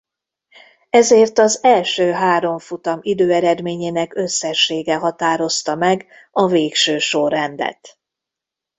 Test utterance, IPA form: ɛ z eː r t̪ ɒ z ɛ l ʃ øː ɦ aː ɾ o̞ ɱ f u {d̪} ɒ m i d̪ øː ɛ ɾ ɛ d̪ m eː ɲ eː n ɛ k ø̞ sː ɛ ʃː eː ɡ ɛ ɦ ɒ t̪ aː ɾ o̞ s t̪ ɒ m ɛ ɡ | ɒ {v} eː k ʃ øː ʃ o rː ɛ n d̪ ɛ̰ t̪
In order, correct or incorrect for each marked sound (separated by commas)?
incorrect, correct